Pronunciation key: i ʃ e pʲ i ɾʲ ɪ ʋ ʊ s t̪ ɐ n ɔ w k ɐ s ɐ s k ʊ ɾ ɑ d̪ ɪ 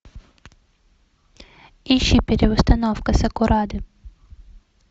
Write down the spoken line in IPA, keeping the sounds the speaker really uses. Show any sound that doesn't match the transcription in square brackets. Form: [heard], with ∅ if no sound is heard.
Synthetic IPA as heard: i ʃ [i] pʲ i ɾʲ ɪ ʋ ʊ s t̪ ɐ n ɔ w k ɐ s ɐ [∅] k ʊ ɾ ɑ d̪ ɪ